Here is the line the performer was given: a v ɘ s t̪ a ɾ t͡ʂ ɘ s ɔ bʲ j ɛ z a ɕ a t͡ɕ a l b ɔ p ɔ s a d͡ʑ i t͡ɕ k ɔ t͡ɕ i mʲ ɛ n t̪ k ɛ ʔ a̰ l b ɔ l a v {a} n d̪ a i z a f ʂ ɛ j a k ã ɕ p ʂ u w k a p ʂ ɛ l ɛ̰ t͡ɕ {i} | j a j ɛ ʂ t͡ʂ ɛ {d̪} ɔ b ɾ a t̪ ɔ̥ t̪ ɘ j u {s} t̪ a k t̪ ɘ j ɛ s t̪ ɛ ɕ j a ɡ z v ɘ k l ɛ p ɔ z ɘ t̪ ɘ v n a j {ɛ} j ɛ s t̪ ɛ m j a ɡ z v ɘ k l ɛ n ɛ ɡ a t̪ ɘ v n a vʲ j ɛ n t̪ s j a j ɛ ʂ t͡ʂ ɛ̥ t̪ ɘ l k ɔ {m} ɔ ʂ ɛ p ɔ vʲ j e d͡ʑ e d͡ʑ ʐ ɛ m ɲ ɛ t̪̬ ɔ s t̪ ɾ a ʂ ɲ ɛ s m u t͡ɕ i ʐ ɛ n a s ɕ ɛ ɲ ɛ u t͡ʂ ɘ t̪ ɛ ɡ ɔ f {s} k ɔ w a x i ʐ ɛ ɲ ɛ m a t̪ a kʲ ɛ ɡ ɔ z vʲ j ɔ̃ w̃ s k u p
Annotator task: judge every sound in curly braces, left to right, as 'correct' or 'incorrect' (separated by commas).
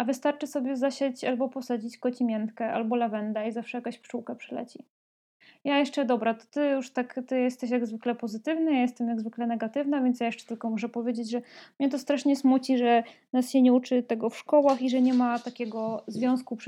incorrect, correct, correct, incorrect, incorrect, correct, incorrect